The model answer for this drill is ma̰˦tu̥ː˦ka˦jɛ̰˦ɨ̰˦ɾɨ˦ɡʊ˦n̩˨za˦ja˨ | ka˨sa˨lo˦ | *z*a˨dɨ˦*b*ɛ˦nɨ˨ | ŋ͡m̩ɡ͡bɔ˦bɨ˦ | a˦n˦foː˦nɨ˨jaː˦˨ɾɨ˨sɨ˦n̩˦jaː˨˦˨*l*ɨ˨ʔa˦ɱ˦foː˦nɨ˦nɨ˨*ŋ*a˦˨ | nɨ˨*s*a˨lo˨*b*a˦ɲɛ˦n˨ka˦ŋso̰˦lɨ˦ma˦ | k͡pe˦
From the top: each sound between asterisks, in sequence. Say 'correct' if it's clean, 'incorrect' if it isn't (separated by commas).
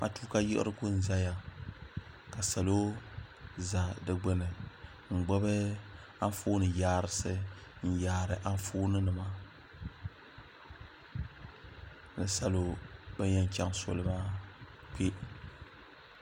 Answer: correct, incorrect, incorrect, incorrect, correct, correct